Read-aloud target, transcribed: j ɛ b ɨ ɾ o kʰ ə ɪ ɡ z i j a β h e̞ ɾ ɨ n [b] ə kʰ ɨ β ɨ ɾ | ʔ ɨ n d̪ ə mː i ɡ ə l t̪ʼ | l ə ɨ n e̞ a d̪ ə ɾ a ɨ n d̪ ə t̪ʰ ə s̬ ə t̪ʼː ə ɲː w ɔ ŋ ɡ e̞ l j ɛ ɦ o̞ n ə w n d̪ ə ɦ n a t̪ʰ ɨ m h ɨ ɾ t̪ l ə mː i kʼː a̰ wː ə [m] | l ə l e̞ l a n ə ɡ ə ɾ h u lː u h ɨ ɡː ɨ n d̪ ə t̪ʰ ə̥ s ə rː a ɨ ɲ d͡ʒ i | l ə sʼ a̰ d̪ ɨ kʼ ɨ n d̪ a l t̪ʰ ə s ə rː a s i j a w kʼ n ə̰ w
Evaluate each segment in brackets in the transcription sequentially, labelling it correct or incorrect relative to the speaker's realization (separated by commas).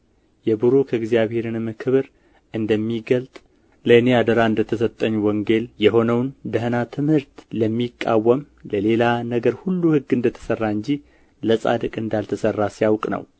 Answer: incorrect, correct